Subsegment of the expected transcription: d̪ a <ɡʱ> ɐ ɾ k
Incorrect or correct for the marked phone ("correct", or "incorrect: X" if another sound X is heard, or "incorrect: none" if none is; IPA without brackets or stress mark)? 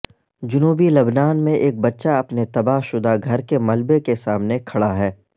correct